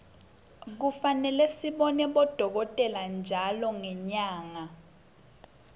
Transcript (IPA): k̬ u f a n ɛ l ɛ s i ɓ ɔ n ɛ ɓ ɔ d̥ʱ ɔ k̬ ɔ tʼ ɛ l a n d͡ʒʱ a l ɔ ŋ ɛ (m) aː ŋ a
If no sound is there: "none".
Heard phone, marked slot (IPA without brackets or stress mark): ɲ